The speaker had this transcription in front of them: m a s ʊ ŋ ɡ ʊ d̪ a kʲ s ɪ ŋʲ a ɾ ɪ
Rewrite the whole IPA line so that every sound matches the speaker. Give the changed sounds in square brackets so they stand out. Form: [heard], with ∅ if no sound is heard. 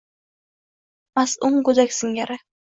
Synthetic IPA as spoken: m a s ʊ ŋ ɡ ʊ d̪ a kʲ s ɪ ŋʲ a ɾ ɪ